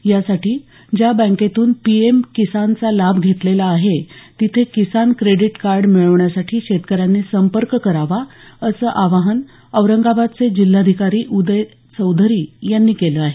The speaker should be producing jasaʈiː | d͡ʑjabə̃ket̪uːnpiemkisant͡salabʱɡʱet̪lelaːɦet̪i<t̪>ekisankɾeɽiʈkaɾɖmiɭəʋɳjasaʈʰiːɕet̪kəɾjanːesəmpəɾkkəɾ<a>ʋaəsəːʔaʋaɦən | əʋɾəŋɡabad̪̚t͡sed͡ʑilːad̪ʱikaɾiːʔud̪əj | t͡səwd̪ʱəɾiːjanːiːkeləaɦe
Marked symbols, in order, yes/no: no, yes

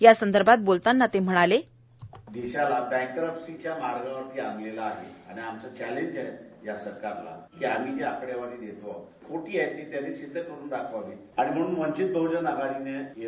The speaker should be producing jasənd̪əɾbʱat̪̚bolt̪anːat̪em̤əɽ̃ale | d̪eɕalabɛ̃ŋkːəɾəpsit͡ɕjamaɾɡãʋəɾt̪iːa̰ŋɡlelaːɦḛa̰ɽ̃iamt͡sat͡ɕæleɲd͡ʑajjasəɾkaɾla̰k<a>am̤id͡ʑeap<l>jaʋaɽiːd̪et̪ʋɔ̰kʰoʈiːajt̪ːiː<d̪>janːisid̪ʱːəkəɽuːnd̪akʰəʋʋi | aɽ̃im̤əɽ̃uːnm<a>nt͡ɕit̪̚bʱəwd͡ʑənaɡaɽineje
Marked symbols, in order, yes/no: no, no, no, no

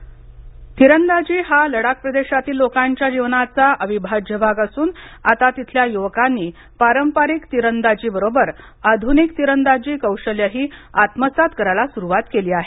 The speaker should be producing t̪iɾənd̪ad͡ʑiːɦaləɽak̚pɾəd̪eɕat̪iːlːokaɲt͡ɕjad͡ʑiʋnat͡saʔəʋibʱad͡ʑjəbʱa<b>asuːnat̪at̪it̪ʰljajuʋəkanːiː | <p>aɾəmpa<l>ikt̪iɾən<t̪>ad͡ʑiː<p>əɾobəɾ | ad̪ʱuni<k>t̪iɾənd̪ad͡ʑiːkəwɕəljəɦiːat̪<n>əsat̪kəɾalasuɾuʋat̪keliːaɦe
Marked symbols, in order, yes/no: no, yes, no, no, no, yes, no

